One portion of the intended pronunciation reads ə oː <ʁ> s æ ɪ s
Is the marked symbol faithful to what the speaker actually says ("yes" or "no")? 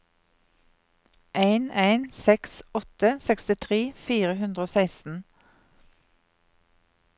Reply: no